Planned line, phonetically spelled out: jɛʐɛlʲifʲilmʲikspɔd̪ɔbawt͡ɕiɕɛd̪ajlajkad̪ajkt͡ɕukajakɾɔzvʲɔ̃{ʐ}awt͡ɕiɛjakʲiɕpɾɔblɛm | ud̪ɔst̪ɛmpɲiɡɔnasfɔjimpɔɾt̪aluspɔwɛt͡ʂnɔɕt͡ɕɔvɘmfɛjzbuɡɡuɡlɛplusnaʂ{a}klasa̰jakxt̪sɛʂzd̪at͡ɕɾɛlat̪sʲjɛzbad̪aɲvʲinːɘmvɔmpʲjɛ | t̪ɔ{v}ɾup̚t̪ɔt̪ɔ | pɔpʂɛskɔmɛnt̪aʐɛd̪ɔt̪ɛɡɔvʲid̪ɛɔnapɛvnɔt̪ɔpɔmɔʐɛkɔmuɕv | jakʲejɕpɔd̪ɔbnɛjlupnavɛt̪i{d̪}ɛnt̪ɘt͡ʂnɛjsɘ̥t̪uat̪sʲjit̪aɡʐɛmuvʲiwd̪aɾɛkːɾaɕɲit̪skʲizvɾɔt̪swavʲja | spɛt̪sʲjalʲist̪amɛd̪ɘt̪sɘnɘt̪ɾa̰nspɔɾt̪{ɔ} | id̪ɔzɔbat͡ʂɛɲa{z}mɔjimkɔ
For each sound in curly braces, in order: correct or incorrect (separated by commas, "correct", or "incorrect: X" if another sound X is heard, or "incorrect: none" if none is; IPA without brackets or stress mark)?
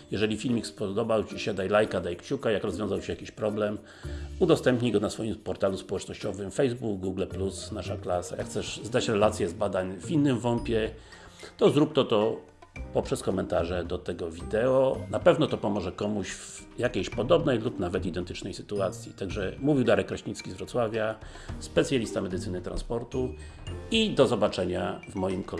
incorrect: z, correct, incorrect: z, correct, incorrect: u, incorrect: v